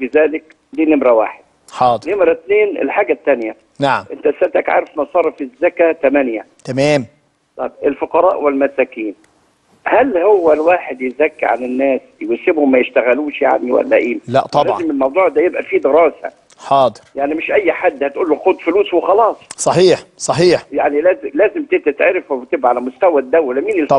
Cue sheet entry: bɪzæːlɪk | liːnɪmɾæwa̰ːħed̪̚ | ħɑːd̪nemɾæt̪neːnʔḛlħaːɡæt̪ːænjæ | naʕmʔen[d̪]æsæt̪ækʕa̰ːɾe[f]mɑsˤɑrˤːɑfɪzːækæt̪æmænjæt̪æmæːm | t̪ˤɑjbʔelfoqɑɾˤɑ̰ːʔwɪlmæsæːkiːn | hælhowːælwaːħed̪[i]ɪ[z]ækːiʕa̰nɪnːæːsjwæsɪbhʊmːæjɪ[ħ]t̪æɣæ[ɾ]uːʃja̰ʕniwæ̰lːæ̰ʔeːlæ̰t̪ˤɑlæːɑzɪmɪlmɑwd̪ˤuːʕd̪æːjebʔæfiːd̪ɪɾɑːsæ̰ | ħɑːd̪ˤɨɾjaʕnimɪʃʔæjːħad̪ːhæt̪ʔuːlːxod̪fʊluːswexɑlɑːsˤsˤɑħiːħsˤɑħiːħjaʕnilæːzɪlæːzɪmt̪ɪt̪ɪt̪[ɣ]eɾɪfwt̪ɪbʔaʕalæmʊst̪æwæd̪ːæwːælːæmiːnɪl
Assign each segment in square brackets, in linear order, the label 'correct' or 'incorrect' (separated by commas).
incorrect, correct, incorrect, correct, incorrect, incorrect, incorrect